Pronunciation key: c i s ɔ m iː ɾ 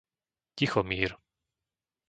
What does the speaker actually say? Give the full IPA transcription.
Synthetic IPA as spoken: c i x ɔ m iː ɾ